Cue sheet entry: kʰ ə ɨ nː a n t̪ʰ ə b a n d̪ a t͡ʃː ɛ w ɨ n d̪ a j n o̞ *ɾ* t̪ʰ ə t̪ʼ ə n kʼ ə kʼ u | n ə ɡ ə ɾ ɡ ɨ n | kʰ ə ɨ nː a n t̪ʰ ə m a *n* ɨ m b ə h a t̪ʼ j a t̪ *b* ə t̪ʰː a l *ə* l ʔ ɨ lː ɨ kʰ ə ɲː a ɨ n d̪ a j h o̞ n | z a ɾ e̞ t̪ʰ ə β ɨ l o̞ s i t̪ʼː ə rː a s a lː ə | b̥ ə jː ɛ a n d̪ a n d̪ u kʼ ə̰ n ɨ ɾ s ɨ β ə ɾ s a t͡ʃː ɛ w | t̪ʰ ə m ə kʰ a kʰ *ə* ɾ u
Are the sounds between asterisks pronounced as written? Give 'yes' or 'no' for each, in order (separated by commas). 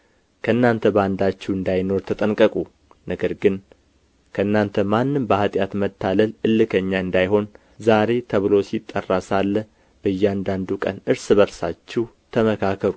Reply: yes, no, no, yes, yes